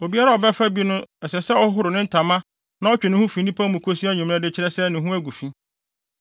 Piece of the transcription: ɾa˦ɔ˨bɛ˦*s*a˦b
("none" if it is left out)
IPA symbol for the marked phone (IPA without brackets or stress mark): f